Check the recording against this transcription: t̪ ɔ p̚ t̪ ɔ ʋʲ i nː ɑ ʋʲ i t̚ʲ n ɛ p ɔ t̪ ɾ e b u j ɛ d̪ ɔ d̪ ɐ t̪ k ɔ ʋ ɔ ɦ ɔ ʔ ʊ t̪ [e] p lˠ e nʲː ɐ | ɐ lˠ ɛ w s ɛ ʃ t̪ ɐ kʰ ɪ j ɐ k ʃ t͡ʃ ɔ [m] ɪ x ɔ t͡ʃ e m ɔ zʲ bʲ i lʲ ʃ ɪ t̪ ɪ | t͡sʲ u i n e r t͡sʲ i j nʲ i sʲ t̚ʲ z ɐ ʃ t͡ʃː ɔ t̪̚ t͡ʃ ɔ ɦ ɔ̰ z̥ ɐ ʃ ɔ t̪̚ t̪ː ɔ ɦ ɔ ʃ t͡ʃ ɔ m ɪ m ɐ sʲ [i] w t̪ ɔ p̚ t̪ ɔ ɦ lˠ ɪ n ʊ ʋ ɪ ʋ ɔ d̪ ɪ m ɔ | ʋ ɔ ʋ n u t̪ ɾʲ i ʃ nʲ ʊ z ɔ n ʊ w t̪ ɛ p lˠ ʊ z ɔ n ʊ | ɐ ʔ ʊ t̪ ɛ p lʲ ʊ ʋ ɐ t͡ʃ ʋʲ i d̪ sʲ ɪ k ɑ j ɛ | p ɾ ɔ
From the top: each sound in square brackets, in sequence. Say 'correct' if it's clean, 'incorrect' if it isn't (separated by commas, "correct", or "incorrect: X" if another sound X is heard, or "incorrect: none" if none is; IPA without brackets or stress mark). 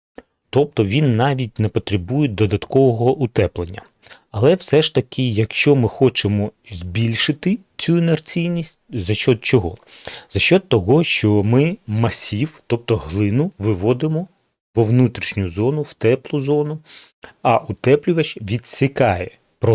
incorrect: ɛ, correct, correct